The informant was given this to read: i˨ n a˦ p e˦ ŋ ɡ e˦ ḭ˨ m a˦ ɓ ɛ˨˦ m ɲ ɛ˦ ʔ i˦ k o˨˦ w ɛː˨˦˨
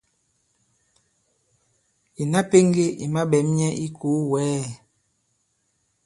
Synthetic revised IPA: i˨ n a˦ p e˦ ŋ ɡ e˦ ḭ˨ m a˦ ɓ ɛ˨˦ m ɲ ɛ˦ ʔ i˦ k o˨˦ w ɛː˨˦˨